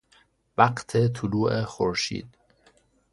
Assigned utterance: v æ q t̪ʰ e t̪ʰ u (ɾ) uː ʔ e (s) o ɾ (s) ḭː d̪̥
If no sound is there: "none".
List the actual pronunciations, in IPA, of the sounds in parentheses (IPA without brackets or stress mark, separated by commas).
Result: l, x, ʃ